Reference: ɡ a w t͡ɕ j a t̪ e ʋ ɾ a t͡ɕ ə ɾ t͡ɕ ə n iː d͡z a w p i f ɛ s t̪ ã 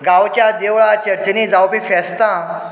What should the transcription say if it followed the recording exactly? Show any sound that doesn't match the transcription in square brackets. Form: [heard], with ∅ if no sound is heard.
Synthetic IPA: ɡ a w t͡ɕ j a [d̪] e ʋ [ɭ] a t͡ɕ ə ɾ t͡ɕ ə n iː d͡z a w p i f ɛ s t̪ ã